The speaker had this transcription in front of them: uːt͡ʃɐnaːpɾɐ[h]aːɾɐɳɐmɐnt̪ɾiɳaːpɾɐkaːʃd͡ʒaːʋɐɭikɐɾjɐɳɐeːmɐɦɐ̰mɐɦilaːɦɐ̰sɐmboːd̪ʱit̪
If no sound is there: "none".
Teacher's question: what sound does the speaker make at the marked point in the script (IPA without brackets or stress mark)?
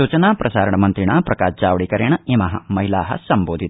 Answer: s